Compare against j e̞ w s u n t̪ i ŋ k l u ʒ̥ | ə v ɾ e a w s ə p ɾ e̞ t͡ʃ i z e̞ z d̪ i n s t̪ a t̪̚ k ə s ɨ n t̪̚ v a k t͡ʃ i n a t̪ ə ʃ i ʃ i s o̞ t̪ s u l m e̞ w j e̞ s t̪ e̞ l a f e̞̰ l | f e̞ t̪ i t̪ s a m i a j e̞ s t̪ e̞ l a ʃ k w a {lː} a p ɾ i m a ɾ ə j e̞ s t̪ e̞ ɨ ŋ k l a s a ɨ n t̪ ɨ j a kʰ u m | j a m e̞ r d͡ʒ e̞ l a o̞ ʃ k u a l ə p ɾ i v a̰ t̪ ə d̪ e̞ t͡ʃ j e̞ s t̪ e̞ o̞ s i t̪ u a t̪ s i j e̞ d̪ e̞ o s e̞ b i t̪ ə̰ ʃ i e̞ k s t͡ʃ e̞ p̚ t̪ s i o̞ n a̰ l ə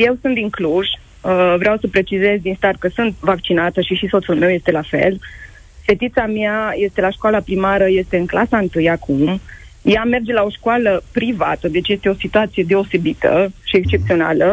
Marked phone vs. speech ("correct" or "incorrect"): incorrect